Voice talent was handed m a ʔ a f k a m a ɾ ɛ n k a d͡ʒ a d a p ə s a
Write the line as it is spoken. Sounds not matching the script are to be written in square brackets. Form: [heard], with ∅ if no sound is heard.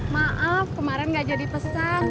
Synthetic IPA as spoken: m a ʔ a f k [ə] m a ɾ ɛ n [ɡ] a d͡ʒ a d [i] p ə s a